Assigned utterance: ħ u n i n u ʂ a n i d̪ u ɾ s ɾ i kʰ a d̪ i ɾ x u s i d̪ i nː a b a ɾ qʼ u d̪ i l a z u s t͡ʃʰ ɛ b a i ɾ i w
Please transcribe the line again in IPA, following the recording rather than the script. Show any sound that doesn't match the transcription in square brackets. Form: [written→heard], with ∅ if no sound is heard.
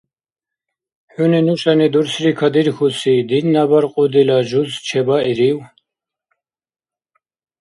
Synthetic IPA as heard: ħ u n i n u [ʂ→ʃ] a n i d̪ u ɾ s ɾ i kʰ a d̪ i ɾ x u s i d̪ i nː a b a ɾ qʼ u d̪ i l a [z→ʒ] u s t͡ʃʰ ɛ b a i ɾ i w